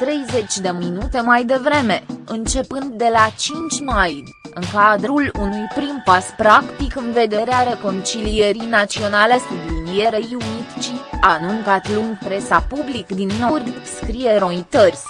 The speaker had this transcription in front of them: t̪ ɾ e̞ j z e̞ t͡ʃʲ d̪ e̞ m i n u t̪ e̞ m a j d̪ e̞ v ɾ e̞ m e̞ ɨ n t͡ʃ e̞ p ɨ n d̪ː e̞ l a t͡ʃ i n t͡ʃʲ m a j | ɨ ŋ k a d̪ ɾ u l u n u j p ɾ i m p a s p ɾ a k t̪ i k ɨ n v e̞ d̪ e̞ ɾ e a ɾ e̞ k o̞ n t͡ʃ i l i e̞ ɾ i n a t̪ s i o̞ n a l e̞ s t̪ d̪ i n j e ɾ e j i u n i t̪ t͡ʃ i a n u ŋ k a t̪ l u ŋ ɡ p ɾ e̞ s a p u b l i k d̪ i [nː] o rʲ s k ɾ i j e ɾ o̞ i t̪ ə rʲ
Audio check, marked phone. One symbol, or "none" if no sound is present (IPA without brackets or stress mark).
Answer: nː